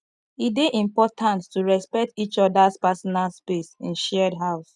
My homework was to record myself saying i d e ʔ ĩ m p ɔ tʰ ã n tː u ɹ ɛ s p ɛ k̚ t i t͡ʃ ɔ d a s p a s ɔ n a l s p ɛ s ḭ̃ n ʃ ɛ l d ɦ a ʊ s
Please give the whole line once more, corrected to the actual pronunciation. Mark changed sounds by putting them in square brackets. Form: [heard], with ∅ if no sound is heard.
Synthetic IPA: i d e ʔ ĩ m p ɔ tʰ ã n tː u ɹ ɛ s p ɛ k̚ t i t͡ʃ ɔ d a s p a s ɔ n a l s p [e] s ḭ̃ n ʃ ɛ [∅] d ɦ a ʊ s

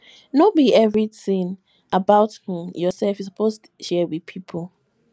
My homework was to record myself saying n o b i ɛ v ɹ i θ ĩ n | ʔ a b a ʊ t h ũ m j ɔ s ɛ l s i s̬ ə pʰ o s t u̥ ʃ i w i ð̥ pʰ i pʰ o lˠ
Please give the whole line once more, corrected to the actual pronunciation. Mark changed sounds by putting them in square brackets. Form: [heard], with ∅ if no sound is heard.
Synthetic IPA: n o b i ɛ v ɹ i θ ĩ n | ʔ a b a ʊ t h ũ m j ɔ s ɛ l [f] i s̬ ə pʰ o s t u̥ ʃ [ɛ] w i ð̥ pʰ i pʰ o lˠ

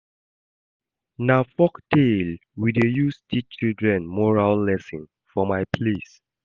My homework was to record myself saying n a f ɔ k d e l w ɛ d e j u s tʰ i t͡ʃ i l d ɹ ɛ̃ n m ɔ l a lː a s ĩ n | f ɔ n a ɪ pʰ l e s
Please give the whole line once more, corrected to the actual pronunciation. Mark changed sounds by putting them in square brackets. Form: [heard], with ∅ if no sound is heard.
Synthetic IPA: n a f ɔ k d e l w [i] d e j u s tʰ i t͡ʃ i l d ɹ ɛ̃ n m ɔ [ɹ] a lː [ɛ] s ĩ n | f ɔ [m] a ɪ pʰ l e s

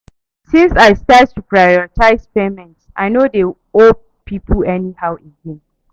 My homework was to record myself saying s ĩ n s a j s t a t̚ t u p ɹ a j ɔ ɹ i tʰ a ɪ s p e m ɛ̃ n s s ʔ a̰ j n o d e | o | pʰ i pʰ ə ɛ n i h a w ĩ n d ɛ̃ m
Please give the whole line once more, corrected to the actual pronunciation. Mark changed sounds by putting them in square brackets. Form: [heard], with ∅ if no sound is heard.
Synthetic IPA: s ĩ n s a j s t a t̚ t u p ɹ a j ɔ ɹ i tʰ a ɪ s p e m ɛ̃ n [t] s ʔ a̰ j n o d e | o | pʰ i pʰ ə ɛ n i h a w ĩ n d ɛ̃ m

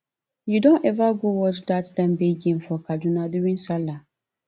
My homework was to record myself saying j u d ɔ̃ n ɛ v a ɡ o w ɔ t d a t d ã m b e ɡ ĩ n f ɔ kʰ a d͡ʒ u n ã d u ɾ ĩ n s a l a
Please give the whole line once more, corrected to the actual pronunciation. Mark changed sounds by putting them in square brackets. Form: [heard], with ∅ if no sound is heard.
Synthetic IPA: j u d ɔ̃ n ɛ v a ɡ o w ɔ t d a t d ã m b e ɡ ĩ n f ɔ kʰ a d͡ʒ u n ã d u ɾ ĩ n s a l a

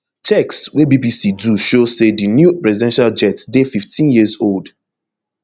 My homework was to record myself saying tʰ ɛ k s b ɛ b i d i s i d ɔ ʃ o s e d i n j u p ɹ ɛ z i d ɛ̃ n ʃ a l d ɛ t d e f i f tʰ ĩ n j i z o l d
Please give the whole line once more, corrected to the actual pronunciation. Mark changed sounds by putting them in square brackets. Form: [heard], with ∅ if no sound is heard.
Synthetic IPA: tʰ ɛ k s [w] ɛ b i [b] i s i d [u] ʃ o s e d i n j u p ɹ ɛ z i d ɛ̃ n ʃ a l [d͡ʒ] ɛ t d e f i f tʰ ĩ n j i z o l d

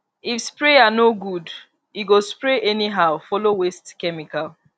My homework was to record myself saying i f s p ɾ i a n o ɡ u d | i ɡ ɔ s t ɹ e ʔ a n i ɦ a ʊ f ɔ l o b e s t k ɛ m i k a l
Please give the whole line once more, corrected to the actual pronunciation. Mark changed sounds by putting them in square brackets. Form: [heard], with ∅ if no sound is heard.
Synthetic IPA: i f s p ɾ [e] a n o ɡ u d | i ɡ [o] s [p] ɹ e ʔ [ɛ] n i ɦ a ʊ f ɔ l o [w] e s t k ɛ m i k a l

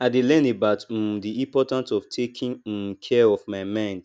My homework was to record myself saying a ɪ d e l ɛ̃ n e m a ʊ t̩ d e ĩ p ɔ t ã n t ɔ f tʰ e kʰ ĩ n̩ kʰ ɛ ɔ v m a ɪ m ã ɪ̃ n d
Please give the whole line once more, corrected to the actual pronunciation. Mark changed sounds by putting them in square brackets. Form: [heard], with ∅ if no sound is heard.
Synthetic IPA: a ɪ d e l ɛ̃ n e [b] a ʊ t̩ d [i] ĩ p ɔ t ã n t ɔ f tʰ e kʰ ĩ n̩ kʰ ɛ ɔ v m a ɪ m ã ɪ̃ n d

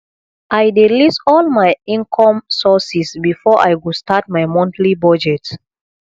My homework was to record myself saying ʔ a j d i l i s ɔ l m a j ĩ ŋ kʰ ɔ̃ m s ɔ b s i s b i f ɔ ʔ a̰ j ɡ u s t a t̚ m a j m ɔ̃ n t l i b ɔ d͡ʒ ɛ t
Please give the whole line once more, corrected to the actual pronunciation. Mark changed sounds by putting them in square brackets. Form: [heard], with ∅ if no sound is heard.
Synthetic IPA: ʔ a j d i l i s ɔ l m a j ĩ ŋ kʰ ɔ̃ m s ɔ [∅] s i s b i f ɔ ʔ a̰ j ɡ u s t a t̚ m a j m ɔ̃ n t l i b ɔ d͡ʒ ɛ t

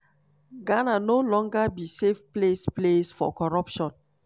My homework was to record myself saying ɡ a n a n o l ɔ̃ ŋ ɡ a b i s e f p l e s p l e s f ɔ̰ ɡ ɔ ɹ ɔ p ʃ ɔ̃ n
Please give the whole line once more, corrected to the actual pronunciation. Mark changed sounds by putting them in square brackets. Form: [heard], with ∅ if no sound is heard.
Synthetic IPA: ɡ a n a n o l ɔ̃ ŋ ɡ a b i s e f p l e s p l e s f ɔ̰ [k] ɔ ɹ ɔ p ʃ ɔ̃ n

